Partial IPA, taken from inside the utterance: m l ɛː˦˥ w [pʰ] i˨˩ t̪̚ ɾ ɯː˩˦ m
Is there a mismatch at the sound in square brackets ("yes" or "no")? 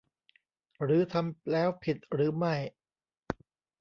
no